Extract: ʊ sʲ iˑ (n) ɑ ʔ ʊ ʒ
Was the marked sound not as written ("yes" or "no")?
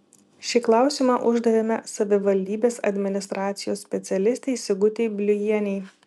yes